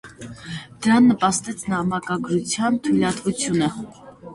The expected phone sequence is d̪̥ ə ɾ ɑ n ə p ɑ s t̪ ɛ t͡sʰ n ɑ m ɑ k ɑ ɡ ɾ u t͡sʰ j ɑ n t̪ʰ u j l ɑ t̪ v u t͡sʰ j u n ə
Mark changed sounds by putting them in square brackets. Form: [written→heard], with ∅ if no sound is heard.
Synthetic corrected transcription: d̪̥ ə ɾ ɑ [n→nː] ə p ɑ s t̪ ɛ t͡sʰ n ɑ m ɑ k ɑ ɡ ɾ u t͡sʰ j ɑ n t̪ʰ u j l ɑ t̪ v u t͡sʰ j u n ə